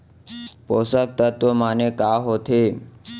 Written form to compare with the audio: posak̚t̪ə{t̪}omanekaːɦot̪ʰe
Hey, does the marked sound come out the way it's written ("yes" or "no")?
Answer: yes